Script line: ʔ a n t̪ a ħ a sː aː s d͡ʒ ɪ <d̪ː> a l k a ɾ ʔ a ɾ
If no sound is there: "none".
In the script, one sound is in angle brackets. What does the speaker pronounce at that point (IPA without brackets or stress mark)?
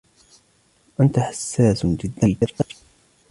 d̪ː